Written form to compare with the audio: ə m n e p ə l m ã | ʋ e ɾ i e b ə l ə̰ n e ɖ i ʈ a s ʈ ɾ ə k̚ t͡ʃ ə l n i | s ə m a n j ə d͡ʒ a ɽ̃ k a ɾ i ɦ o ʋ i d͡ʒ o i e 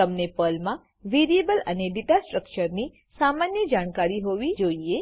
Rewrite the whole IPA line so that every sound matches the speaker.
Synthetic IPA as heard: ə m n e p ə l m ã | ʋ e ɾ i e b ə l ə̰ n e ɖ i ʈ a s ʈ ɾ ə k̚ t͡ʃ ə ɾ n i | s a m a n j ə d͡ʒ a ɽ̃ k a ɾ i ɦ o ʋ i d͡ʒ o i e